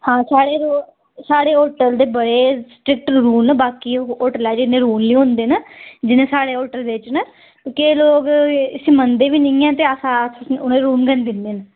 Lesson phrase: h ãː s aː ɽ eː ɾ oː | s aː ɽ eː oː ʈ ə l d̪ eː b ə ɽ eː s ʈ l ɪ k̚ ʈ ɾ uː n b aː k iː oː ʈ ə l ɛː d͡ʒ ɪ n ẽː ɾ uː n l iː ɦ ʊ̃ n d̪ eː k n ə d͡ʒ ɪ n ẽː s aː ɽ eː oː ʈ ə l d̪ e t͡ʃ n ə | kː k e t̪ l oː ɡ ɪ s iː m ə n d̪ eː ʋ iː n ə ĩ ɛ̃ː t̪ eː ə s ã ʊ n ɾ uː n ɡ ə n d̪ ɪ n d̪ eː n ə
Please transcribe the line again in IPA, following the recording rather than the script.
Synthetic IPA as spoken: h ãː s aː ɽ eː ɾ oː | s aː ɽ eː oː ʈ ə l d̪ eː b ə ɽ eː s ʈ ɾ ɪ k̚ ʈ ɾ uː n b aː k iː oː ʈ ə l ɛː d͡ʒ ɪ n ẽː ɾ uː n l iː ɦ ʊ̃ n d̪ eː n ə d͡ʒ ɪ n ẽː s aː ɽ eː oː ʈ ə l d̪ e t͡ʃ n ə | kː k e l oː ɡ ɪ s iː m ə n d̪ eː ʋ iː n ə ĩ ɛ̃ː t̪ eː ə s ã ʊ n ɾ uː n ɡ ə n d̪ ɪ n d̪ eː n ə